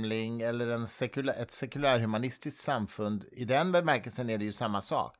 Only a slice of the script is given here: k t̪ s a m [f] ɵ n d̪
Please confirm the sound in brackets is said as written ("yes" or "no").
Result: yes